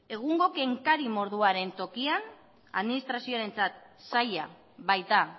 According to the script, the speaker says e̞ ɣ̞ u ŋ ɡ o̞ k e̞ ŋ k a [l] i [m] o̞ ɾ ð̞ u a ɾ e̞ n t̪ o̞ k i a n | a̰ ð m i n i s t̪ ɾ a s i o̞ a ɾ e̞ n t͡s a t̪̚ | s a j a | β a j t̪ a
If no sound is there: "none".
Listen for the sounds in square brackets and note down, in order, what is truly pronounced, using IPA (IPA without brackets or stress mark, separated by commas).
ɾ, m